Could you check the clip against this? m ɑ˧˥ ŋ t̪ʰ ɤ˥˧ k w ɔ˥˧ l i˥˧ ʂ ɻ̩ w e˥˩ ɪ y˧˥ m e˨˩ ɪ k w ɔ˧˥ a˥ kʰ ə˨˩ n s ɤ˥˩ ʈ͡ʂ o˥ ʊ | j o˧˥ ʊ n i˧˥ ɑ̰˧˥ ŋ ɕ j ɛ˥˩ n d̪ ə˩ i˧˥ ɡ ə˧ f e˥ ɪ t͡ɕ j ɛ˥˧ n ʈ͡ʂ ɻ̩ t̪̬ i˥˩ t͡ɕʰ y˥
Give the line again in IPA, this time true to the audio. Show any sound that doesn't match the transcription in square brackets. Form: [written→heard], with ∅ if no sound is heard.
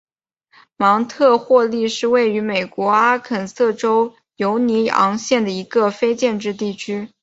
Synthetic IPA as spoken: m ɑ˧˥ ŋ t̪ʰ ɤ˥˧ [k→x] w ɔ˥˧ l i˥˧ ʂ ɻ̩ w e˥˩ ɪ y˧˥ m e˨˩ ɪ k w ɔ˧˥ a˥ kʰ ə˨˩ n s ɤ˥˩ ʈ͡ʂ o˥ ʊ | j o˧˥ ʊ n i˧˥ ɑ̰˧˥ ŋ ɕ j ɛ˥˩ n d̪ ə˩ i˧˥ ɡ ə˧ f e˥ ɪ t͡ɕ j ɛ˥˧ n ʈ͡ʂ ɻ̩ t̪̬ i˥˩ t͡ɕʰ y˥